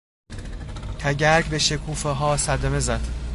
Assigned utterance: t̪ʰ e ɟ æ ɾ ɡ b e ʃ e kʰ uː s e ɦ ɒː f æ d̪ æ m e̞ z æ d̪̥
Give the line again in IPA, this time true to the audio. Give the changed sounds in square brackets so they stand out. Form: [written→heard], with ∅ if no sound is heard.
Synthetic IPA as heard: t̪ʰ [e→æ] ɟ æ ɾ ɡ b e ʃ e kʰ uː [s→f] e ɦ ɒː [f→s] æ d̪ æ m e̞ z æ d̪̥

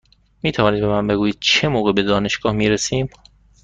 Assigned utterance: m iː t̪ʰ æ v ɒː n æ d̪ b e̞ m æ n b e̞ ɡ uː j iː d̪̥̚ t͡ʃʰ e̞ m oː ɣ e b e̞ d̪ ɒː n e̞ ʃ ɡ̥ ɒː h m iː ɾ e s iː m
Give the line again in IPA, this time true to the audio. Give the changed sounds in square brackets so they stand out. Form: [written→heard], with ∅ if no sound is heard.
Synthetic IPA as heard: m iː t̪ʰ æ v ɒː n [æ→i] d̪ b e̞ m æ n b e̞ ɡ uː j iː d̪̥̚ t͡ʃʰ e̞ m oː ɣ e b e̞ d̪ ɒː n e̞ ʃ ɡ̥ ɒː h m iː ɾ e s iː m

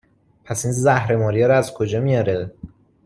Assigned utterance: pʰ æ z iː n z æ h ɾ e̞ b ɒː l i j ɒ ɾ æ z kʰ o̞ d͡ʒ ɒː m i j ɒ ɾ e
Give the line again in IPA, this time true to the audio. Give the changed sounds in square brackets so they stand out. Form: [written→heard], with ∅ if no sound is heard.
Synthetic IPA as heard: pʰ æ [z→s] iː n z æ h ɾ e̞ [b→m] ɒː [l→ɾ] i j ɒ ɾ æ z kʰ o̞ d͡ʒ ɒː m i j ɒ ɾ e

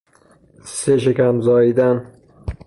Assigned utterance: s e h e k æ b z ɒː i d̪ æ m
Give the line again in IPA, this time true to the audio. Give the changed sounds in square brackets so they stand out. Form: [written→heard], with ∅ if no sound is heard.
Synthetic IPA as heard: s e [h→ʃ] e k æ [b→m] z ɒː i d̪ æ [m→n]

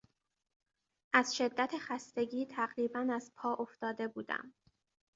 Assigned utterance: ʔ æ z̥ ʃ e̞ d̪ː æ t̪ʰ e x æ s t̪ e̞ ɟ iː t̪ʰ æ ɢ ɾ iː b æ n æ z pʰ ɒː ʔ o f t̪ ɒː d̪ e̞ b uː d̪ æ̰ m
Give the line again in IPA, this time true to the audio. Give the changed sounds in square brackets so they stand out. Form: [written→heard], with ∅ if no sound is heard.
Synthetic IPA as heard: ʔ æ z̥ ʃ e̞ d̪ː æ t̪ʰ e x æ s t̪ e̞ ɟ iː t̪ʰ æ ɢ ɾ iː b æ n æ z pʰ ɒː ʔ o f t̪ ɒː d̪ e̞ b uː d̪ æ̰ m

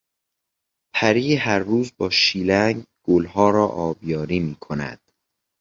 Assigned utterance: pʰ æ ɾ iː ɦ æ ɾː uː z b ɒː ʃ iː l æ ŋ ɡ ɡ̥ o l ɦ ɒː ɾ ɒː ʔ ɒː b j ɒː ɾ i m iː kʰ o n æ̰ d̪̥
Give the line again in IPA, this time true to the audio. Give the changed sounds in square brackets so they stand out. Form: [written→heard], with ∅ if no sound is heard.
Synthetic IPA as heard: pʰ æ ɾ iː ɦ æ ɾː uː z b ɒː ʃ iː l æ ŋ ɡ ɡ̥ o l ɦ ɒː ɾ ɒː ʔ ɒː b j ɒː ɾ [i→iː] m iː kʰ o n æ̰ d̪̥

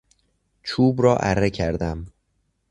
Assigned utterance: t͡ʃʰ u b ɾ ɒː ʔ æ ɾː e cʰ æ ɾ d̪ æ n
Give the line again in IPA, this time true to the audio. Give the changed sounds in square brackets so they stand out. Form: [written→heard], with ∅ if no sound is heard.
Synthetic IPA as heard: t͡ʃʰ [u→uː] b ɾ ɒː ʔ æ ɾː e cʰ æ ɾ d̪ æ [n→m]

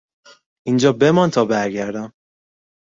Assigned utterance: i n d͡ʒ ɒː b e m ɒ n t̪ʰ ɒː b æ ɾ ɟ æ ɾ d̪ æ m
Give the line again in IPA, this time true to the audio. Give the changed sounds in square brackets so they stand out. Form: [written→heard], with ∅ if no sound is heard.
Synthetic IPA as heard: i n d͡ʒ ɒː b e m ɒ n t̪ʰ ɒː b æ ɾ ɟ æ ɾ d̪ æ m

